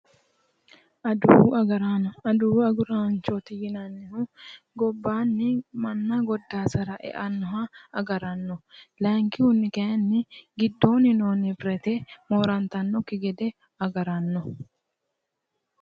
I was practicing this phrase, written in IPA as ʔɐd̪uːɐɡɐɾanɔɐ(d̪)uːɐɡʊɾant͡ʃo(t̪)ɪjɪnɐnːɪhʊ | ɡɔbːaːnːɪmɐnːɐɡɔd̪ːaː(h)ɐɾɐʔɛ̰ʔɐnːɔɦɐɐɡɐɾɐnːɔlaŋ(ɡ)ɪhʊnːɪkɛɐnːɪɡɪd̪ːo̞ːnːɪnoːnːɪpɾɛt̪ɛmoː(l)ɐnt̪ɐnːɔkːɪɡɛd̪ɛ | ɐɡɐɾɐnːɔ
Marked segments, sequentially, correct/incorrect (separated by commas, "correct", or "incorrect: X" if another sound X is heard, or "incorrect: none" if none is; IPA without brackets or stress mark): correct, correct, incorrect: s, incorrect: k, incorrect: ɾ